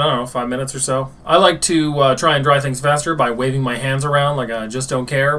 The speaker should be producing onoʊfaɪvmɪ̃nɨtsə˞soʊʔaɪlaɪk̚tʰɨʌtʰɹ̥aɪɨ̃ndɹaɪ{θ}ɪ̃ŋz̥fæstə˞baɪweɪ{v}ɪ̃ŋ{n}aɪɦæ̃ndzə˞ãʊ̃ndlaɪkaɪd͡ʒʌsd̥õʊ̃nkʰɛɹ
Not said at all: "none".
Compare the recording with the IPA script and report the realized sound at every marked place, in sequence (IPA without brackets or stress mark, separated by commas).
θ, v, m